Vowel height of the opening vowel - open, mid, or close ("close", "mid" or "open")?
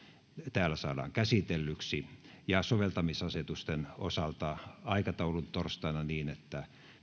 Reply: open